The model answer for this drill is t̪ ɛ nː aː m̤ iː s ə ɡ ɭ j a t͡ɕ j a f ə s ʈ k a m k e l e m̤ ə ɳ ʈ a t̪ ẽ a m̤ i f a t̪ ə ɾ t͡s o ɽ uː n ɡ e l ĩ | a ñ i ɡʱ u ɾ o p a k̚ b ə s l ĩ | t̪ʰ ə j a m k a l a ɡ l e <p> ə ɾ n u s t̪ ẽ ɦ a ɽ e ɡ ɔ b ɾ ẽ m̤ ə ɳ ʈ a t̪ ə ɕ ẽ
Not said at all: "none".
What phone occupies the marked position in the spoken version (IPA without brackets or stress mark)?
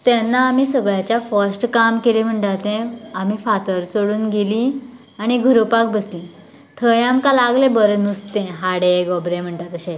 b